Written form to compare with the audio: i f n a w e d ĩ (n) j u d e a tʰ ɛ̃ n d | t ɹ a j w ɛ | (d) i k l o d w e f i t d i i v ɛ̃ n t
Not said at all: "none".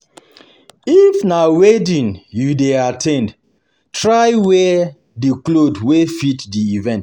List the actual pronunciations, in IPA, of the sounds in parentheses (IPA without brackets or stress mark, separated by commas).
n, d